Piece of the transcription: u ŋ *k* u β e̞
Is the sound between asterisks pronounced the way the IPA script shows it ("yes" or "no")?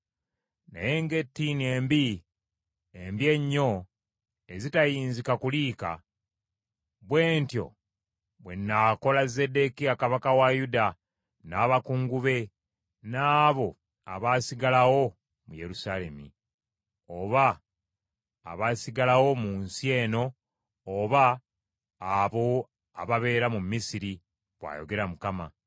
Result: no